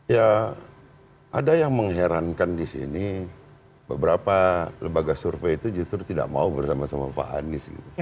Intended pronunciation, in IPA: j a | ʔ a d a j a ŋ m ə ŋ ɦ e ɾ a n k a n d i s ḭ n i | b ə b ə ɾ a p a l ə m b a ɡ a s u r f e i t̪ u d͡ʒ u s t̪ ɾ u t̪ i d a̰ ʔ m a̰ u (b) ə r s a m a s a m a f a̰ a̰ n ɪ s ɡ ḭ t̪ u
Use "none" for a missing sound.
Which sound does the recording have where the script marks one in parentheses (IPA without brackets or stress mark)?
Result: b